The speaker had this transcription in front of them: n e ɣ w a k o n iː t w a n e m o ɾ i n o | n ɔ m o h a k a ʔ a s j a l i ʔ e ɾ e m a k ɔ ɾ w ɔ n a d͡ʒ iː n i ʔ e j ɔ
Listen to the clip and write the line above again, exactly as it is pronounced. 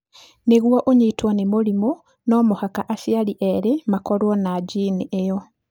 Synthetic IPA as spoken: n e ɣ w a ʔ o ɲ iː t w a n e m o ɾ i m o | n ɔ m o h a k a ʔ a s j a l i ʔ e ɾ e m a k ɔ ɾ w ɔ n a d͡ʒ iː n i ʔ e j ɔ